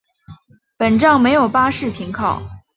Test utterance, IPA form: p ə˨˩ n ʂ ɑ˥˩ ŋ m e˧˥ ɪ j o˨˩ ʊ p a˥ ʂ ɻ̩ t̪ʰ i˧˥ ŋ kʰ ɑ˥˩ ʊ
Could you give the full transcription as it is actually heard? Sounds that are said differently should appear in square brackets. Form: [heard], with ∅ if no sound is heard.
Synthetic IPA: p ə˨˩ n [ʈ͡ʂ] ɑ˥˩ ŋ m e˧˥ ɪ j o˨˩ ʊ p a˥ ʂ ɻ̩ t̪ʰ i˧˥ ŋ kʰ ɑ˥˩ ʊ